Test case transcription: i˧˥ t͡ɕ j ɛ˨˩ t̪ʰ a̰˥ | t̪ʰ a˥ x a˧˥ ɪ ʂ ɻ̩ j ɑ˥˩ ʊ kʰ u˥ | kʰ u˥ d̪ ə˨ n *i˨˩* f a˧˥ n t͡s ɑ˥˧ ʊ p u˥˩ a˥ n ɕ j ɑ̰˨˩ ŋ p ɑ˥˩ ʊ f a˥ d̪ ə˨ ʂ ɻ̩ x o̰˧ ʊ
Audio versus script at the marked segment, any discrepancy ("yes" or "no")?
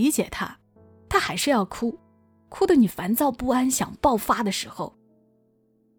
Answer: no